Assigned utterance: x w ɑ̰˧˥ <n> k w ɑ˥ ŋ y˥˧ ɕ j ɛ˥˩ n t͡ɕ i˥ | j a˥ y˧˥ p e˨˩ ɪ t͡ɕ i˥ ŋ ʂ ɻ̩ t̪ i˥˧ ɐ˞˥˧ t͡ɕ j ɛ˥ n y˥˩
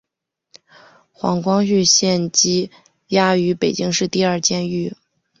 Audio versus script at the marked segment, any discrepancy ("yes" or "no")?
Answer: yes